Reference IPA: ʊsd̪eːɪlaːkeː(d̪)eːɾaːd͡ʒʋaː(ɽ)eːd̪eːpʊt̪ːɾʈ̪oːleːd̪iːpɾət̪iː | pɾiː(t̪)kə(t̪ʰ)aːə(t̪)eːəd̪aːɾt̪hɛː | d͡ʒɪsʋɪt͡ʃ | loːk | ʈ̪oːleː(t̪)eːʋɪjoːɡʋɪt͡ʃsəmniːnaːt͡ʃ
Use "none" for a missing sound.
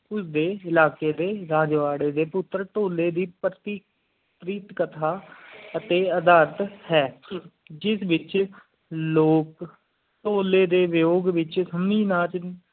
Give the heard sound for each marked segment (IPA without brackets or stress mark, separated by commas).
d̪, ɽ, t̪, t̪ʰ, t̪, d̪